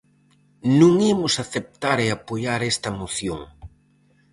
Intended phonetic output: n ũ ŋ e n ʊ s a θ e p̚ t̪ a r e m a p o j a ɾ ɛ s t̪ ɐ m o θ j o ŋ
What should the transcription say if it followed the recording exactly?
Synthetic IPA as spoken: n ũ ŋ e m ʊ s a θ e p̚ t̪ a ɾ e a p o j a ɾ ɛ s t̪ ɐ m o θ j o ŋ